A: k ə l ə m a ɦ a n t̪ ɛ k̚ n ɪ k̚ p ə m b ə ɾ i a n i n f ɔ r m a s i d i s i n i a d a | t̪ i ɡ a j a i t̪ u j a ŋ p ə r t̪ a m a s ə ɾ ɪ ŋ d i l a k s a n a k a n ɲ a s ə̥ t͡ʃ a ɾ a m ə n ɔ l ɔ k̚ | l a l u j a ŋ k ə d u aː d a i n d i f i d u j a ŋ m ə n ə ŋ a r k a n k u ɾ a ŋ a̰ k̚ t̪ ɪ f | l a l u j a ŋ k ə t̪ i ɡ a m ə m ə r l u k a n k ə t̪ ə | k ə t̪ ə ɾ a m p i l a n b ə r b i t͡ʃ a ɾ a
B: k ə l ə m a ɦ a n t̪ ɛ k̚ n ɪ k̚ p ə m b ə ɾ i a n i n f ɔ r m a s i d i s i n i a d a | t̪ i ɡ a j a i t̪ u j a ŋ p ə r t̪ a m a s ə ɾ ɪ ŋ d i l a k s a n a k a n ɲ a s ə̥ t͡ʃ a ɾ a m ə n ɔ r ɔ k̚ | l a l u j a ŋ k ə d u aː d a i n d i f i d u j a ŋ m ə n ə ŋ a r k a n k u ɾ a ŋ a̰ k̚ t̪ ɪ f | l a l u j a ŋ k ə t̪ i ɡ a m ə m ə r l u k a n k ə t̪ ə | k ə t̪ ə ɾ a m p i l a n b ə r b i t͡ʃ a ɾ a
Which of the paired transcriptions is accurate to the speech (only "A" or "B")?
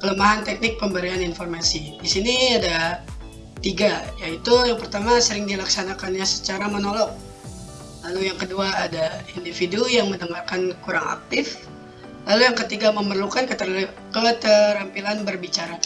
A